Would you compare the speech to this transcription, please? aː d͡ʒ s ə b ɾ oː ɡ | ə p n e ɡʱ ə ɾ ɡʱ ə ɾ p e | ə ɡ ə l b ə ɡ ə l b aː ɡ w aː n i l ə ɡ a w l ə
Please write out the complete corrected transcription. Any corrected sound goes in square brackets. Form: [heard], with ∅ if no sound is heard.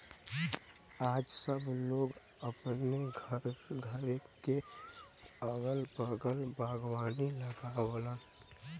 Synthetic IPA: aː d͡ʒ s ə b [l] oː ɡ | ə p n e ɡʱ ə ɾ ɡʱ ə ɾ [k] e | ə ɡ ə l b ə ɡ ə l b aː ɡ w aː n i l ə ɡ a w l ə